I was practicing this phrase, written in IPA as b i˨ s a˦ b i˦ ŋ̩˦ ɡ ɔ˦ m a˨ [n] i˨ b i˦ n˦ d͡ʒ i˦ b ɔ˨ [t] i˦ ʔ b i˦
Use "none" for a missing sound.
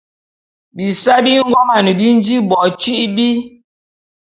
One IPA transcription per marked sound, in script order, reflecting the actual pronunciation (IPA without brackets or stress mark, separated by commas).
n, t͡ʃ